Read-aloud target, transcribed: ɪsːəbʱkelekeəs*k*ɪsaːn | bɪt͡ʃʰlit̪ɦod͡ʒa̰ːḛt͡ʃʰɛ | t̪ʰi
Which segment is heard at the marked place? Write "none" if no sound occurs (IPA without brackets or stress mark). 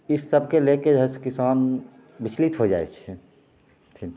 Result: k